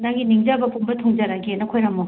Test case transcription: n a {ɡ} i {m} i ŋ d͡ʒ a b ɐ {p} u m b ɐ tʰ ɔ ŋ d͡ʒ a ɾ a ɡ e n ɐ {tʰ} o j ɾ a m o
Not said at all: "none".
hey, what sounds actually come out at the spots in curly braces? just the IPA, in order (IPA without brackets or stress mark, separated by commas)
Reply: ɡ, n, p, kʰ